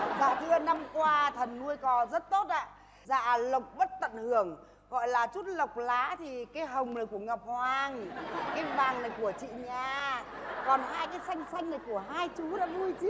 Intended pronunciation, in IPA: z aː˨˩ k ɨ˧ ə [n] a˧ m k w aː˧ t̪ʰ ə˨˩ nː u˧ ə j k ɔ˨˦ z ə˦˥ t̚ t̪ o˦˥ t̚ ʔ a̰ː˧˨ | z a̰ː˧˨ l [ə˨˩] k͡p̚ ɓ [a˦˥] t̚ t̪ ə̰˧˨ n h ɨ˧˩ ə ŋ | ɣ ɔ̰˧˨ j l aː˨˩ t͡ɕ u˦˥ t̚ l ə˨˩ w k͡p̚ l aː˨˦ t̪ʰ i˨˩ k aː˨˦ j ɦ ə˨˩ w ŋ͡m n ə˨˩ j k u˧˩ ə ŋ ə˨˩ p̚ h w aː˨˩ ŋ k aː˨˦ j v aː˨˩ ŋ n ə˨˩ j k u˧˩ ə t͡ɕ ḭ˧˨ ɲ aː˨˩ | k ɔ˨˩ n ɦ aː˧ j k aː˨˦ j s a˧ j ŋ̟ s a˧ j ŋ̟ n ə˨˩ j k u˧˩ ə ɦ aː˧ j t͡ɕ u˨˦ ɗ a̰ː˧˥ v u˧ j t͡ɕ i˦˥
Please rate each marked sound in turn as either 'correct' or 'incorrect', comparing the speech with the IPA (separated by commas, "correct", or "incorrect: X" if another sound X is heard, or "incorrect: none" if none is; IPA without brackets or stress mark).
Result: correct, correct, incorrect: ə˦˥